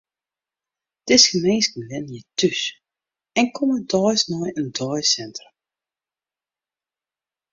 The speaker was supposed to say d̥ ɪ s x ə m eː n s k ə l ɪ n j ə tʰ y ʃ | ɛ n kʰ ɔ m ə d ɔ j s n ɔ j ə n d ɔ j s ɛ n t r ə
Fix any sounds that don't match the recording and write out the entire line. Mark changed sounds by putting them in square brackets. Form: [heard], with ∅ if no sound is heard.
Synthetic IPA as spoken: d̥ ɪ s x ə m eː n s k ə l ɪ n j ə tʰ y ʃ | ɛ n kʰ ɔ m ə d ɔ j s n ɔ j ə n d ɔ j s ɛ n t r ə